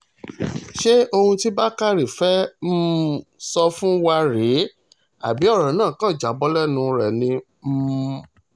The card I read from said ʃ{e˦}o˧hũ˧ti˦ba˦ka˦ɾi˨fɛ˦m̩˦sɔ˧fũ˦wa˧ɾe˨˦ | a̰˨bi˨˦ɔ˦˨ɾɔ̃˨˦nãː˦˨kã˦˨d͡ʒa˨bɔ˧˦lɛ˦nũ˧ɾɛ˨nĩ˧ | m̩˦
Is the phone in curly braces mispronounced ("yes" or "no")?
no